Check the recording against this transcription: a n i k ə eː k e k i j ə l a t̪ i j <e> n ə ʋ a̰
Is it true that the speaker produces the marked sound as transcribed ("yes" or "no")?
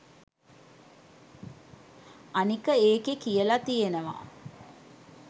yes